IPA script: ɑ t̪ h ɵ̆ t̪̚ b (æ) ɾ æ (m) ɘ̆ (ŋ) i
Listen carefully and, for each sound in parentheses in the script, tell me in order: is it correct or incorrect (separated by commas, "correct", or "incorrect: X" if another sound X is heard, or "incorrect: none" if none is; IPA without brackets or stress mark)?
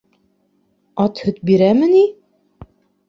incorrect: i, correct, incorrect: n